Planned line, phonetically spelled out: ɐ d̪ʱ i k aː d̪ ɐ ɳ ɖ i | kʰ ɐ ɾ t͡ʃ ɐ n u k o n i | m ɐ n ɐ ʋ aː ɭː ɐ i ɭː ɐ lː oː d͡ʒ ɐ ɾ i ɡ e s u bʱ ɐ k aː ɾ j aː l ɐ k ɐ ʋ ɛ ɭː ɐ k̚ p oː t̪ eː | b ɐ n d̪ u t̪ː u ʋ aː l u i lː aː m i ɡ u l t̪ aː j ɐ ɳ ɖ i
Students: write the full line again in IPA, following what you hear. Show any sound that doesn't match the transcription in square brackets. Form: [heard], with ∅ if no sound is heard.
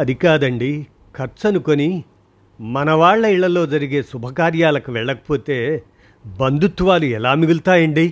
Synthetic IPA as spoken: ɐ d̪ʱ i k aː d̪ ɐ ɳ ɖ i | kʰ ɐ ɾ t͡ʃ ɐ n u k o n i | m ɐ n ɐ ʋ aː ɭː ɐ i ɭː ɐ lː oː d͡ʒ ɐ ɾ i ɡ e s u bʱ ɐ k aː ɾ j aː l ɐ k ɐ ʋ ɛ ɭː ɐ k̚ p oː t̪ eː | b ɐ n d̪ u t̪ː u ʋ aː l u [ɛ] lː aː m i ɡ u l t̪ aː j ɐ ɳ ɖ i